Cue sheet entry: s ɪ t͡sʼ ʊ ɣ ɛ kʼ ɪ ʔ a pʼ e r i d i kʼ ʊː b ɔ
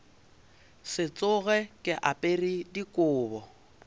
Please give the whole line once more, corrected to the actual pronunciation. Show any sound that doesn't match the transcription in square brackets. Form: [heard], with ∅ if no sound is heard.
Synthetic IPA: s ɪ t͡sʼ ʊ ɣ ɛ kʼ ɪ ʔ a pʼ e r i d i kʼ ʊː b ɔ

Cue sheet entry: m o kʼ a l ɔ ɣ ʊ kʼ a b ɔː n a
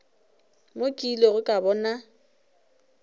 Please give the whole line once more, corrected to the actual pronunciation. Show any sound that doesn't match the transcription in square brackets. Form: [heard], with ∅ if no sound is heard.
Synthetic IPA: m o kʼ [i] l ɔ ɣ ʊ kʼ a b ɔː n a

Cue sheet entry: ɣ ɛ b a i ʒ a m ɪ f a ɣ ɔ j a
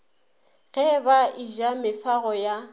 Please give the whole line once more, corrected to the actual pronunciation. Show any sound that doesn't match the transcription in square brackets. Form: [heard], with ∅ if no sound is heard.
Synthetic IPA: ɣ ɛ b a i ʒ a m ɪ f a ɣ ɔ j a

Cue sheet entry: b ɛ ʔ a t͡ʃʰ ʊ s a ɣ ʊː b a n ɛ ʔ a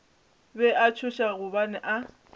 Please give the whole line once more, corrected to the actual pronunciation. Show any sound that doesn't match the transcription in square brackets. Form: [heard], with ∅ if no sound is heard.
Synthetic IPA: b ɛ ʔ a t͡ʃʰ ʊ [ʃ] a ɣ [ʊ] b a n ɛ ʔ a

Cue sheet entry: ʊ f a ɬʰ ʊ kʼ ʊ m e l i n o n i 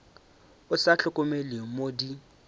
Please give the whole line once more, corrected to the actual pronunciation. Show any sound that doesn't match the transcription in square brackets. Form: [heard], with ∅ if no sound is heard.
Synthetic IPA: ʊ [s] a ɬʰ ʊ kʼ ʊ m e l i [m] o [d] i

